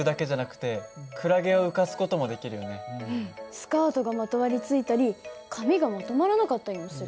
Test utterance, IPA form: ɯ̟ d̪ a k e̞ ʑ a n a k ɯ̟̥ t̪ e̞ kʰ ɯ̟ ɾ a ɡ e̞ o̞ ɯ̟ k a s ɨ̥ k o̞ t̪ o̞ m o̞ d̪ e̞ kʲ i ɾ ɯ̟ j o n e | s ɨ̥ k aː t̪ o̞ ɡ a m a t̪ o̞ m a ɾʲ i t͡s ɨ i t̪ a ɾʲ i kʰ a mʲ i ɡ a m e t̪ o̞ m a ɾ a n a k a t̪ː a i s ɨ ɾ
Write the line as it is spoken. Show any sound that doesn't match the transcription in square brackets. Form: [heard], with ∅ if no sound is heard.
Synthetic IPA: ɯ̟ d̪ a k e̞ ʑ a n a k ɯ̟̥ t̪ e̞ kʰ ɯ̟ ɾ a ɡ e̞ o̞ ɯ̟ k a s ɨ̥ k o̞ t̪ o̞ m o̞ d̪ e̞ kʲ i ɾ ɯ̟ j o n e | s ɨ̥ k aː t̪ o̞ ɡ a m a t̪ o̞ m a ɾʲ i t͡s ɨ i t̪ a ɾʲ i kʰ a mʲ i ɡ a m [a] t̪ o̞ m a ɾ a n a k a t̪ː a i s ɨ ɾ